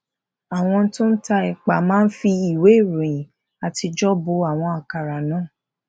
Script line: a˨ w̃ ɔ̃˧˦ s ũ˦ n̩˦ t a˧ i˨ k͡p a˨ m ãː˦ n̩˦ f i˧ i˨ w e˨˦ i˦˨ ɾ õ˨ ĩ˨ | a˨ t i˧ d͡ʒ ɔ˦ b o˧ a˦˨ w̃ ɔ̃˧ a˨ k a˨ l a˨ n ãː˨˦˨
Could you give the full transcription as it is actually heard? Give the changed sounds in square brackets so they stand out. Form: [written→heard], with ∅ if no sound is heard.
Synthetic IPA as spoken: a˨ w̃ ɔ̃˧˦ [s→t] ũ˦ n̩˦ t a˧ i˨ k͡p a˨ m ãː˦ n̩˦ f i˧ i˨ w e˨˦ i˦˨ ɾ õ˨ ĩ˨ | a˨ t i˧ d͡ʒ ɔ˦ b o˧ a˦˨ w̃ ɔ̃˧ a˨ k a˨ [l→ɾ] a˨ n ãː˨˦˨